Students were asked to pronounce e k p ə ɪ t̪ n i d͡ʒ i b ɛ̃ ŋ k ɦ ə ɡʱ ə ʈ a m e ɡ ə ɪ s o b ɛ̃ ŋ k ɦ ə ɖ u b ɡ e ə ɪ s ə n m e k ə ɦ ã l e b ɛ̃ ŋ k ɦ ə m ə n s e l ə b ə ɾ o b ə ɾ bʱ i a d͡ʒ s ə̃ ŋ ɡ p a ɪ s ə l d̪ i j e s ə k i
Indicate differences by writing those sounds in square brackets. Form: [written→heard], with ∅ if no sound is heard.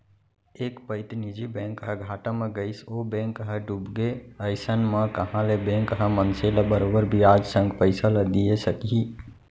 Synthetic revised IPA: e k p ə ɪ t̪ n i d͡ʒ i b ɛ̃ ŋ k ɦ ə ɡʱ [ə→a] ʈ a m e ɡ ə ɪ s o b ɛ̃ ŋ k ɦ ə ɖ u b ɡ e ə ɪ s ə n m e k ə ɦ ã l e b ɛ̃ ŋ k ɦ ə m ə n s e l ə b ə ɾ o b ə ɾ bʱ i a d͡ʒ s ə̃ ŋ ɡ p [a→ə] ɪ s ə l d̪ i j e s ə k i